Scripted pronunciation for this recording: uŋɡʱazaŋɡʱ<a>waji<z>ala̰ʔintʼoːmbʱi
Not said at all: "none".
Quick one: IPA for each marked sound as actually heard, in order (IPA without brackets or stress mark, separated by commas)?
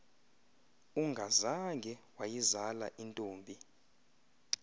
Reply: ɛ, z